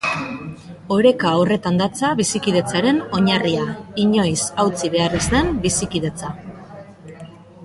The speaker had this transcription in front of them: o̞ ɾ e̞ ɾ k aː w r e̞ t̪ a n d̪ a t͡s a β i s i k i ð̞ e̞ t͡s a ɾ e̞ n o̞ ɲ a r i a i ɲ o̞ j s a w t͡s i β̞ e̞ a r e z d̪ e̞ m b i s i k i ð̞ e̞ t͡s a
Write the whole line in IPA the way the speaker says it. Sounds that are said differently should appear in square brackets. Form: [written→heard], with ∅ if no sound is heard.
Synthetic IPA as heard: o̞ ɾ e̞ [ɾ→∅] k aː w r e̞ t̪ a n d̪ a t͡s a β i s i k i ð̞ e̞ t͡s a ɾ e̞ n o̞ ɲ a r i a i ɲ o̞ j s a w t͡s i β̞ e̞ a r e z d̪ e̞ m b i s i k i ð̞ e̞ t͡s a